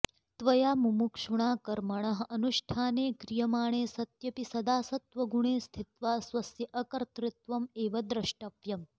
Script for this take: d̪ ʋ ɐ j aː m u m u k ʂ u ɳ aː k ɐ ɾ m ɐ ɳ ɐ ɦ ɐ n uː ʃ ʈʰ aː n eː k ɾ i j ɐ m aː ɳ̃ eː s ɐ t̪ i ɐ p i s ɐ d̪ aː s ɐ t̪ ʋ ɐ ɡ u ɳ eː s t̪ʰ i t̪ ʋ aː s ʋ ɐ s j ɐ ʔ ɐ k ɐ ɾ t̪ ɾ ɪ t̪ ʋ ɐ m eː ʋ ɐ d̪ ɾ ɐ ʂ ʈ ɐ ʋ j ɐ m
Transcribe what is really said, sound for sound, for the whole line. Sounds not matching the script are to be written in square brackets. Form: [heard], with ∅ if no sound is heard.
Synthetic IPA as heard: [t̪] ʋ ɐ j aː m u m u k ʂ u ɳ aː k ɐ ɾ m ɐ ɳ ɐ ɦ ɐ n [u] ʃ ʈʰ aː n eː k ɾ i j ɐ m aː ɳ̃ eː s ɐ t̪ [j] ɐ p i s ɐ d̪ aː s ɐ t̪ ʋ ɐ ɡ u ɳ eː s t̪ʰ i t̪ ʋ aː s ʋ ɐ s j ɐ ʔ ɐ k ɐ ɾ t̪ ɾ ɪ t̪ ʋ ɐ m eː ʋ ɐ d̪ ɾ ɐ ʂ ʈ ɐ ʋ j ɐ m